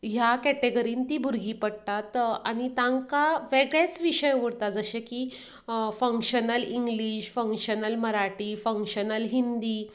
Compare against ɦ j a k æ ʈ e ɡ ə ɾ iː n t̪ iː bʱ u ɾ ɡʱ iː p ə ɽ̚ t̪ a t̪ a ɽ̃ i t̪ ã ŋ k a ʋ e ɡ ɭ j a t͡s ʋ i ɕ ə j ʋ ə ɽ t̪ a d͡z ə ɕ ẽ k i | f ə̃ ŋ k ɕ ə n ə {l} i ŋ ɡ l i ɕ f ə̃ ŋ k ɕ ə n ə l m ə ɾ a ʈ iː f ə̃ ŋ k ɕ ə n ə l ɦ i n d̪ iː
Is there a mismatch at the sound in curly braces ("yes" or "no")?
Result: no